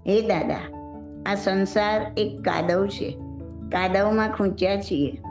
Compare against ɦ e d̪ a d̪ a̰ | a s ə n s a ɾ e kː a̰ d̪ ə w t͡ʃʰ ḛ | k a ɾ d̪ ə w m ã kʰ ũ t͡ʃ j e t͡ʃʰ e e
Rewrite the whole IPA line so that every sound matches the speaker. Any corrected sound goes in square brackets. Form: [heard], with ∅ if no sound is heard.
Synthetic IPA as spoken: ɦ e d̪ a d̪ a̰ | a s ə n s a ɾ e kː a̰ d̪ ə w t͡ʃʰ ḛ | k a [∅] d̪ ə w m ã kʰ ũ t͡ʃ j [a] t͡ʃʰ [i] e